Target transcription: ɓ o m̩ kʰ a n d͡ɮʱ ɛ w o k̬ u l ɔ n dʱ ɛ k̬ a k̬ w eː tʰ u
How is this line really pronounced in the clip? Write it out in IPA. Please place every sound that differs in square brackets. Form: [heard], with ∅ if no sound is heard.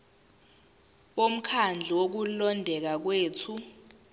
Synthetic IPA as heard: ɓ o m̩ kʰ a n d͡ɮʱ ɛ w o k̬ u l ɔ n dʱ ɛ k̬ a k̬ w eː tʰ u